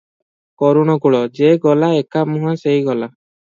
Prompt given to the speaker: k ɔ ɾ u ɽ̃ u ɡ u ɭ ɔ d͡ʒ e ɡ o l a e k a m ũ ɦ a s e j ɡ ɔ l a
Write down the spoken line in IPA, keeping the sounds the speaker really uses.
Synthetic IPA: k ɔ ɾ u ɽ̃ ɔ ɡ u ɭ ɔ d͡ʒ e ɡ ɔ l a e k a m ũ ɦ a s e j ɡ ɔ l a